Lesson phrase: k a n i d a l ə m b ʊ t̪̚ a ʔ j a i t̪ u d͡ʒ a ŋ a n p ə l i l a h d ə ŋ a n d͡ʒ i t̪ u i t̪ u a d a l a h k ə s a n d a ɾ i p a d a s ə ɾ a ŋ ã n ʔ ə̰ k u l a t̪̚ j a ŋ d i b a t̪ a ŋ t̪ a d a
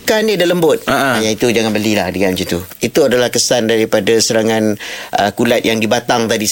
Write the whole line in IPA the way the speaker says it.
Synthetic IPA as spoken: k a n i d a l ə m b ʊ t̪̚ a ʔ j a i t̪ u d͡ʒ a ŋ a n b ə l i l a h d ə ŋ a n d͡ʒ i t̪ u i t̪ u a d a l a h k ə s a n d a ɾ i p a d a s ə ɾ a ŋ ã n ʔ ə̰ k u l a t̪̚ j a ŋ d i b a t̪ a ŋ t̪ a d i